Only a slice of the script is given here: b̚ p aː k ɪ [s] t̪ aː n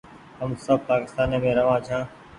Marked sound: correct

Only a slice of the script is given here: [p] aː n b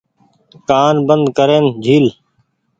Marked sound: incorrect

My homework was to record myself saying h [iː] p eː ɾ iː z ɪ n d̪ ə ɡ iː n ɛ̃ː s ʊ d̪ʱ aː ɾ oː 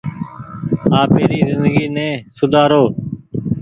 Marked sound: incorrect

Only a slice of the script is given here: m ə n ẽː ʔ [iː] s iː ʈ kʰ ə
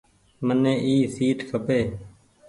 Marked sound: correct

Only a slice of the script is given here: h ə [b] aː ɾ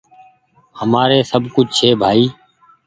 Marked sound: incorrect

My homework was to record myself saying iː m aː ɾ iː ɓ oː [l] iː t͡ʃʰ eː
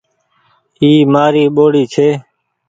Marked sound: incorrect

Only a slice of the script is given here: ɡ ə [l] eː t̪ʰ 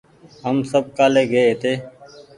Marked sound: incorrect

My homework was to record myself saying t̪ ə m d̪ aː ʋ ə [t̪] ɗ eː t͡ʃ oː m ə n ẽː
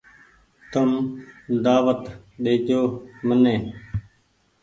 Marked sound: correct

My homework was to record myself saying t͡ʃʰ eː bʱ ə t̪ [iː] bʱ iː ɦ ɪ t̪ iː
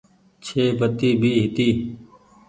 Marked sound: correct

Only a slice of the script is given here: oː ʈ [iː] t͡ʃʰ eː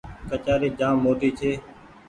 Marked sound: correct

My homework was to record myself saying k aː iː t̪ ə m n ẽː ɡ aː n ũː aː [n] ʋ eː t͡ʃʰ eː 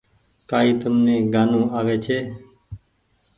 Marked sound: incorrect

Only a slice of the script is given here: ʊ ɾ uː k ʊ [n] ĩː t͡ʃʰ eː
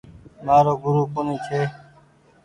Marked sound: correct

